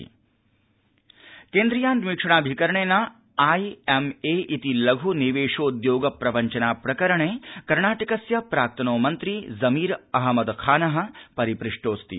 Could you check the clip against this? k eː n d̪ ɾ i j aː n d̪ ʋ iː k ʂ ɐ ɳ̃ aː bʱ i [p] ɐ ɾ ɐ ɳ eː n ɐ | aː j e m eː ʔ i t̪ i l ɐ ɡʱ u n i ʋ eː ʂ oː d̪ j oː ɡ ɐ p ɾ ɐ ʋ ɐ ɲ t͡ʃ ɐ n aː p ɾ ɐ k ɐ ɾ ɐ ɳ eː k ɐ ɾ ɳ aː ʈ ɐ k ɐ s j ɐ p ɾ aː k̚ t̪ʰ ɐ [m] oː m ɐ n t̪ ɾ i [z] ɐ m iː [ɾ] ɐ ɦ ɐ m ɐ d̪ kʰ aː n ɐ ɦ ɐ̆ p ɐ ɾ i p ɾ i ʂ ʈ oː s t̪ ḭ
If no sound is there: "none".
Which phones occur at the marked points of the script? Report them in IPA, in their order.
k, n, z, ɾ

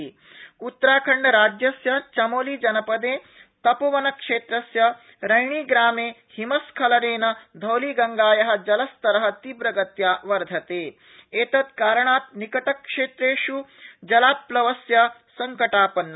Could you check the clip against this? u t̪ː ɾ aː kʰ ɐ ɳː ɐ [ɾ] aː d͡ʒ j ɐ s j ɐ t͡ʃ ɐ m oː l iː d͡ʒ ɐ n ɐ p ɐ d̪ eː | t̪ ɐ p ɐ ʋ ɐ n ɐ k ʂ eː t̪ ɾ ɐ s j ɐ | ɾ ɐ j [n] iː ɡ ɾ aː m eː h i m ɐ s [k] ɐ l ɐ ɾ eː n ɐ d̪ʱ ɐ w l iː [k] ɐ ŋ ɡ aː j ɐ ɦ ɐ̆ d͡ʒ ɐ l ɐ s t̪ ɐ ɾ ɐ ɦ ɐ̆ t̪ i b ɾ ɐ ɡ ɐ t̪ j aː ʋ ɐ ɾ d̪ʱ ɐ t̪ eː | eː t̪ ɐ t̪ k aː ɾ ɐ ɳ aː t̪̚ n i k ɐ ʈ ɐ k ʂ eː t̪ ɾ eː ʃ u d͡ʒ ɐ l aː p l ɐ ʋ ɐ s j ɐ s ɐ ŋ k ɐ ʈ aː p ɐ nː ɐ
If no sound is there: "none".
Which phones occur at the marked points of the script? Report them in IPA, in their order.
ɾ, ɳ, kʰ, ɡ

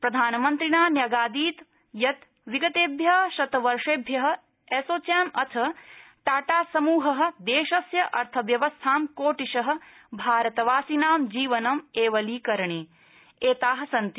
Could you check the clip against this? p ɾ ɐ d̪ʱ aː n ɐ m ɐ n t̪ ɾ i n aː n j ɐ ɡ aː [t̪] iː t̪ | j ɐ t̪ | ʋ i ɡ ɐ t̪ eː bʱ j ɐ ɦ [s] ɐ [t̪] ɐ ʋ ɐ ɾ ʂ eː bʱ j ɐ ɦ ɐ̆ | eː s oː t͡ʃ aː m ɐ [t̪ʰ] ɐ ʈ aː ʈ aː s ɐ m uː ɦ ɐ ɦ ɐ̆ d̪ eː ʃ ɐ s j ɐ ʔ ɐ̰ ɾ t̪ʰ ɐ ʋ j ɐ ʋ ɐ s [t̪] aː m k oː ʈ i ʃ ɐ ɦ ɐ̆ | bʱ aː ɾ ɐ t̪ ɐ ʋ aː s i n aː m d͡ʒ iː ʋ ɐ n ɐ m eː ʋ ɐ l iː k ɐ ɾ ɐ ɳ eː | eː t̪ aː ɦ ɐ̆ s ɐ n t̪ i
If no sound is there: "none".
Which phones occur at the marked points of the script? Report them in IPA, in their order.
d̪, ʃ, t̪, t̪ʰ, t̪ʰ

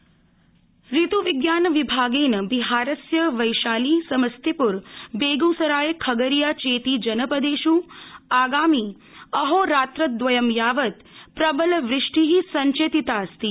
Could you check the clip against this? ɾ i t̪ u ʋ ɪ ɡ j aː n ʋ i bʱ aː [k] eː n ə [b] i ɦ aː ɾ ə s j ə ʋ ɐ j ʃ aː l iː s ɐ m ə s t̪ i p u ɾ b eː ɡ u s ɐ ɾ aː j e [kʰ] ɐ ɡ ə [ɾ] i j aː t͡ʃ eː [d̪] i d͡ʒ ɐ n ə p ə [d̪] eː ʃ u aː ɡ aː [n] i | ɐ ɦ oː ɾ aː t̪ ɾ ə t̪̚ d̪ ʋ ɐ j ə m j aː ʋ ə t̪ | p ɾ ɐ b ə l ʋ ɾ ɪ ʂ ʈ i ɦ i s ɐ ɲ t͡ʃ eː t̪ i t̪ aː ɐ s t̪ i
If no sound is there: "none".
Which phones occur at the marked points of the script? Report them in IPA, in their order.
ɡ, b, kʰ, ɾ, t̪, d̪, m

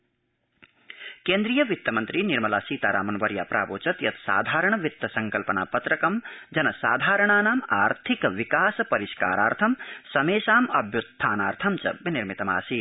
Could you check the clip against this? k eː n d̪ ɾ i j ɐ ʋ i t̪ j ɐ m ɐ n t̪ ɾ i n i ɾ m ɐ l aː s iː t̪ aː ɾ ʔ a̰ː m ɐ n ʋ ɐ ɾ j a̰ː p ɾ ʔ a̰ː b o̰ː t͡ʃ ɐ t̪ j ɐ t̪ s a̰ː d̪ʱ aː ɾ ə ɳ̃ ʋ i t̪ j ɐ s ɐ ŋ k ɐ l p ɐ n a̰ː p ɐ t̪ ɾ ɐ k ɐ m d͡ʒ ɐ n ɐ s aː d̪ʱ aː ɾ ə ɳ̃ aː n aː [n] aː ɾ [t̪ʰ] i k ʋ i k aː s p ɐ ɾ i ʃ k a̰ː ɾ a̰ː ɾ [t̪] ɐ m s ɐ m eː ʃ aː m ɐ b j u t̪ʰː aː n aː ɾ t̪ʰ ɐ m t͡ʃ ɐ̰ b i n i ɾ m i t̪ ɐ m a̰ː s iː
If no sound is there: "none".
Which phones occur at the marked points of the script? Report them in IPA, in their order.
m, t̪ʰ, t̪ʰ

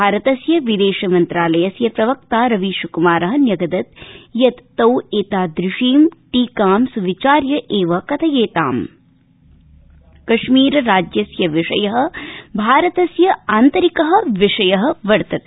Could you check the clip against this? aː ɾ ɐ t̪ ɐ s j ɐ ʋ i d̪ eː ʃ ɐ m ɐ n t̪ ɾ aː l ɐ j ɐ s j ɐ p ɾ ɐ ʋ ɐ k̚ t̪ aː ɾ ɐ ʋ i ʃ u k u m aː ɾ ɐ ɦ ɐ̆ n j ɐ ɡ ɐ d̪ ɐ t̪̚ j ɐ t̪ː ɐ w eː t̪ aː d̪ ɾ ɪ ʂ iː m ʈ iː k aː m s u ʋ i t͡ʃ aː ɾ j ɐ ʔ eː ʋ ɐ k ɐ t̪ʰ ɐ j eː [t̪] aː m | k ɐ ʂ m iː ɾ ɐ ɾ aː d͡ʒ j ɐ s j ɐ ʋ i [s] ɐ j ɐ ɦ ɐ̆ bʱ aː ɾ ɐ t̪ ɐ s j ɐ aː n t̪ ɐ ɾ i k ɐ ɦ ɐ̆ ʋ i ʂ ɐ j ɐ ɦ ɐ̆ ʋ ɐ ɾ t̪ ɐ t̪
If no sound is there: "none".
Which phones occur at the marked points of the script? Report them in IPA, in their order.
t̪, ʂ

